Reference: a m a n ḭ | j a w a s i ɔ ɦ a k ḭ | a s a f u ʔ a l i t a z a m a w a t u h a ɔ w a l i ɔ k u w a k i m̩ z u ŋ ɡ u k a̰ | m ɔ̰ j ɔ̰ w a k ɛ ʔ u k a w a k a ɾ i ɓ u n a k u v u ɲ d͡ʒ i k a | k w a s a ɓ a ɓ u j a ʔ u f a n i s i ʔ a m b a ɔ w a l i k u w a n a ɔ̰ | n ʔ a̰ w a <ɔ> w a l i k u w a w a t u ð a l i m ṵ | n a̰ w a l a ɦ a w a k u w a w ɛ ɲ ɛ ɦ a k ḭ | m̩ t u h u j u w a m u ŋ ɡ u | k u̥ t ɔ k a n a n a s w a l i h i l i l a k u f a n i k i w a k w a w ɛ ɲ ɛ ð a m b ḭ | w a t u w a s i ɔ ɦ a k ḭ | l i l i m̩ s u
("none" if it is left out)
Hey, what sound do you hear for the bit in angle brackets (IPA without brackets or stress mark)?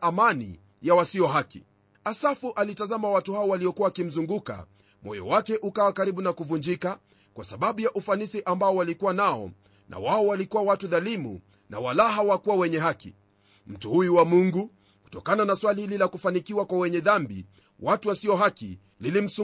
ɔ